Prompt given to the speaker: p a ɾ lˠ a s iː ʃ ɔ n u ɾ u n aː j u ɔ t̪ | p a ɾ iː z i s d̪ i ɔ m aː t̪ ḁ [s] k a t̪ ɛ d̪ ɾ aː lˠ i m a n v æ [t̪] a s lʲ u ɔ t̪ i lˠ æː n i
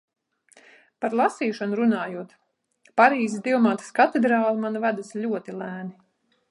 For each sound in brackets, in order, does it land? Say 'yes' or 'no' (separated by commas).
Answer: yes, no